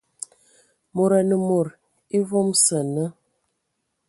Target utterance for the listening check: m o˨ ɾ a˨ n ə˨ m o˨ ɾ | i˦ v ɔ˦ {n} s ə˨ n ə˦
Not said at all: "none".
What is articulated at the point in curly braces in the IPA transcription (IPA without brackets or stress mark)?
m